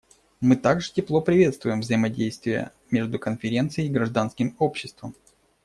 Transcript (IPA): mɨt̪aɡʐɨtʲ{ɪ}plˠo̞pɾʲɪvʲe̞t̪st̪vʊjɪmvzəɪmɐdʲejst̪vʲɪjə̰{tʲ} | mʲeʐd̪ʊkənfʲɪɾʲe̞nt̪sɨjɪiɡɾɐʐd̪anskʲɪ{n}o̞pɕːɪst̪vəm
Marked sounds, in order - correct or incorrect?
correct, incorrect: none, incorrect: m

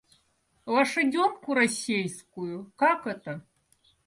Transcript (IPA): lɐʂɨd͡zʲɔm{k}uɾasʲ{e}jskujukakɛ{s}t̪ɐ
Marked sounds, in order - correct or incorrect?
correct, correct, incorrect: none

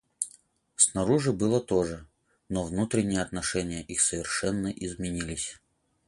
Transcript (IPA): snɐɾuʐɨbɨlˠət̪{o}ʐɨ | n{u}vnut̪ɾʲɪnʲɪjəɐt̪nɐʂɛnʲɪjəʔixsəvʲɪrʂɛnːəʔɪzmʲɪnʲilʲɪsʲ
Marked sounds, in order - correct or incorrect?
correct, incorrect: o

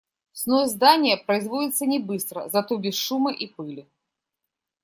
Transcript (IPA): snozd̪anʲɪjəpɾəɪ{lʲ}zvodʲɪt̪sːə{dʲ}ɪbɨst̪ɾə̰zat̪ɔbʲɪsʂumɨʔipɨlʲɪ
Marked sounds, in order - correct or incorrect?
incorrect: none, incorrect: nʲ

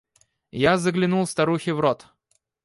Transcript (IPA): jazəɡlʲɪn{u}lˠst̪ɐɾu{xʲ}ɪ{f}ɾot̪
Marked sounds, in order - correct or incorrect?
correct, correct, incorrect: v

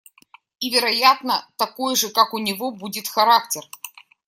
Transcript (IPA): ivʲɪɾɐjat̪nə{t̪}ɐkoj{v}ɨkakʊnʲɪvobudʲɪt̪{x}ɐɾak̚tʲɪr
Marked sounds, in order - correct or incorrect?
correct, incorrect: ʐ, correct

